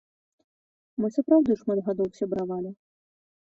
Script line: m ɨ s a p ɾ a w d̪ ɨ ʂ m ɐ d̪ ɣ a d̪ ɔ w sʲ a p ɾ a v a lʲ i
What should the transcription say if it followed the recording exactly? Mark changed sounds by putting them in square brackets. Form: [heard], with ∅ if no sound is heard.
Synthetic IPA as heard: m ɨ s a p ɾ a w d̪ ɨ ʂ m [a] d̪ ɣ a d̪ ɔ w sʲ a [b] ɾ a v a lʲ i